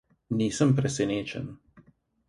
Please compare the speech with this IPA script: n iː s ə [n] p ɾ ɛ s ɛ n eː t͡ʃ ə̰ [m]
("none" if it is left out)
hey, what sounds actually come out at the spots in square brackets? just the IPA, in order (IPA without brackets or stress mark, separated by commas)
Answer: m, n